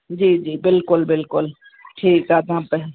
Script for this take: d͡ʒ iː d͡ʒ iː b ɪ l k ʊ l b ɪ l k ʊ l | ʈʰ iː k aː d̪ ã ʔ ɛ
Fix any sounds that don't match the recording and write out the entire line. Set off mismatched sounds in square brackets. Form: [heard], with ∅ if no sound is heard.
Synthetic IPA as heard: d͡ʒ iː d͡ʒ iː b ɪ l k ʊ l b ɪ l k ʊ l | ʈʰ iː k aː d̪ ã [p] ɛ